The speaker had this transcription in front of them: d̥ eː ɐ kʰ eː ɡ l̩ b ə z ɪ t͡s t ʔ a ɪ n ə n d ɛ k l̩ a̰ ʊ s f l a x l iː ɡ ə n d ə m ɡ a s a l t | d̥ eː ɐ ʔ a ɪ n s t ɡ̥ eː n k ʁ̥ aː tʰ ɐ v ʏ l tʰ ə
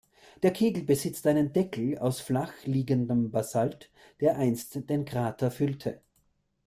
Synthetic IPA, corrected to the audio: d̥ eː ɐ kʰ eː ɡ l̩ b ə z ɪ t͡s t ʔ a ɪ n ə n d ɛ k l̩ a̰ ʊ s f l a x l iː ɡ ə n d ə m b a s a l t | d̥ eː ɐ ʔ a ɪ n s t d̥ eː n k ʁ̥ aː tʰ ɐ f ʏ l tʰ ə